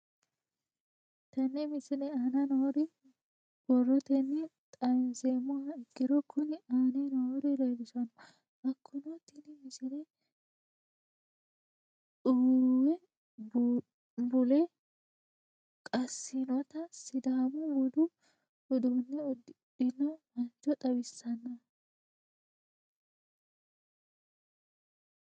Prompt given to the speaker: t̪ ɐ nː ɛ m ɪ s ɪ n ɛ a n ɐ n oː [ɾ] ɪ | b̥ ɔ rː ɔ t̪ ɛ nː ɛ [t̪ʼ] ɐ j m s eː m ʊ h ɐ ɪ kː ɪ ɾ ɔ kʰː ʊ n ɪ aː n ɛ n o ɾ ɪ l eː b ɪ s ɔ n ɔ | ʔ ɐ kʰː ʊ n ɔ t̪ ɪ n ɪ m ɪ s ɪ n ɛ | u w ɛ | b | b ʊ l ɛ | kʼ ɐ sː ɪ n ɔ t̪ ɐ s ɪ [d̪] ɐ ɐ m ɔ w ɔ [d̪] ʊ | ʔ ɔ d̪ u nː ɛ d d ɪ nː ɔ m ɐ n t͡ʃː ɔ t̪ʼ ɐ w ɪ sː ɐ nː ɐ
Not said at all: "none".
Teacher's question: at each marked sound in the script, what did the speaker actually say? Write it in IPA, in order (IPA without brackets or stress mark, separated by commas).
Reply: ɾ, t̪ʼ, d̪, d̪